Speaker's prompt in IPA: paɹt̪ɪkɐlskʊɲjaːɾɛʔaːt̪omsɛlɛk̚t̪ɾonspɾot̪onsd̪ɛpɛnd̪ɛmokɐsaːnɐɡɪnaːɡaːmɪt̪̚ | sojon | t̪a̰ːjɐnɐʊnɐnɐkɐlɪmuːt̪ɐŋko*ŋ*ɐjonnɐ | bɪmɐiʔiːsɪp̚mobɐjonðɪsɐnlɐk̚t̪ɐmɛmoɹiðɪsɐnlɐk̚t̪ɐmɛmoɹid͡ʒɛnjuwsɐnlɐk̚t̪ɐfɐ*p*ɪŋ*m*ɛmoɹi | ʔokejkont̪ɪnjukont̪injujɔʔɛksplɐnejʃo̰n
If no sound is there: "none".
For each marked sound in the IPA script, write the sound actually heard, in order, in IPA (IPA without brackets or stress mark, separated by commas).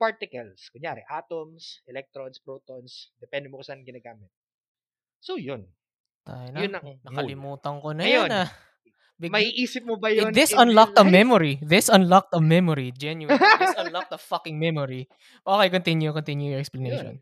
n, k, m